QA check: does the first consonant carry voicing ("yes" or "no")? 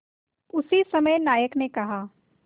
no